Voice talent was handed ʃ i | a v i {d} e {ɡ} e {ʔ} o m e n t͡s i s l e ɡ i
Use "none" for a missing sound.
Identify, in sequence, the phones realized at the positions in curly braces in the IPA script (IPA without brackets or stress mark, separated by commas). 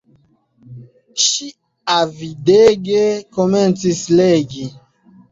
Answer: d, ɡ, k